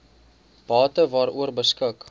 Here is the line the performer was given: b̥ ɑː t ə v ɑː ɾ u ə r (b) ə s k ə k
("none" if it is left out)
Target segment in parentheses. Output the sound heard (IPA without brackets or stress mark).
b